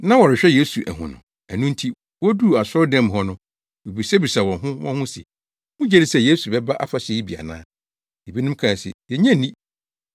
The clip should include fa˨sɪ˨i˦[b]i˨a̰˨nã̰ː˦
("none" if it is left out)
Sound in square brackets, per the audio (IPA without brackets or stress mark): b